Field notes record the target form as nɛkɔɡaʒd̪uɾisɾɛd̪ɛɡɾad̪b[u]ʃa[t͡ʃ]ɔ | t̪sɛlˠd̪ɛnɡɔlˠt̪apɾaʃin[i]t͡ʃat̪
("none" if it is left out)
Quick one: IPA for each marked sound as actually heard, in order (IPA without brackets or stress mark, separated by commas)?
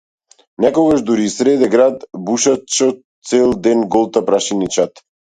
u, t͡ʃ, i